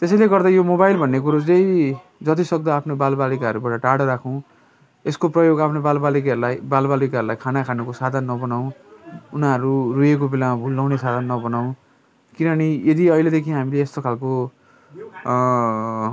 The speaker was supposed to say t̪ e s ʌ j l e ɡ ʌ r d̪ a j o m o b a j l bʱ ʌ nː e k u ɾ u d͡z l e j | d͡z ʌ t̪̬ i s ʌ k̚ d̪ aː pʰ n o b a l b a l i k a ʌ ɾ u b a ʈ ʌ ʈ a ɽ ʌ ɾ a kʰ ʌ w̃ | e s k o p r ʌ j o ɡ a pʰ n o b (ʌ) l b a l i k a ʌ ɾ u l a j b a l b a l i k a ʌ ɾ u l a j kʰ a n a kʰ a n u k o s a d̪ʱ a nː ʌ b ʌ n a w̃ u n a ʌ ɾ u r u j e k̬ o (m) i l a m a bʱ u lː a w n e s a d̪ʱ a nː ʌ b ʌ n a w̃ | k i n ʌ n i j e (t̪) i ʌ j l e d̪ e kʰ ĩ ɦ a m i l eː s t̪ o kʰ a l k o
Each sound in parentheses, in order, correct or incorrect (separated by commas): incorrect, incorrect, incorrect